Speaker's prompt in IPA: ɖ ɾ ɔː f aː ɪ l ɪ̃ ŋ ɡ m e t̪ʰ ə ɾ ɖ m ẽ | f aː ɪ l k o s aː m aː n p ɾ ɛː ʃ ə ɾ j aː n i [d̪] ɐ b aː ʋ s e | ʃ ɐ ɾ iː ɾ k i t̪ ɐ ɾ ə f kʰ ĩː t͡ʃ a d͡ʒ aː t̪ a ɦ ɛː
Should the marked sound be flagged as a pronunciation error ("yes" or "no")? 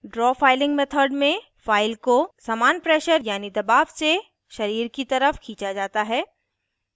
no